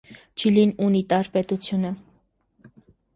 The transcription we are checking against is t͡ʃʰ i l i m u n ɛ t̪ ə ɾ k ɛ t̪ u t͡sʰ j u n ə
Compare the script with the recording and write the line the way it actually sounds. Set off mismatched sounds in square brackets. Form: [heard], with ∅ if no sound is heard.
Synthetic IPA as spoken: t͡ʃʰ i l i [n] u n [i] t̪ [ɑ] ɾ [p] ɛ t̪ u t͡sʰ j u n ə